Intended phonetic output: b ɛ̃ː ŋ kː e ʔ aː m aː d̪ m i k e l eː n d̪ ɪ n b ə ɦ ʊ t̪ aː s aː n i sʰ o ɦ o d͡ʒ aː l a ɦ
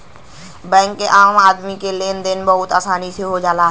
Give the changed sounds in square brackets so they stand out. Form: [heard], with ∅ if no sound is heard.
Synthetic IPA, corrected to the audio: b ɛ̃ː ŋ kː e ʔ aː m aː d̪ m i k e l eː n d̪ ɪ n b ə ɦ ʊ t̪ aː s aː n i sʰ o ɦ o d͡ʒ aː l a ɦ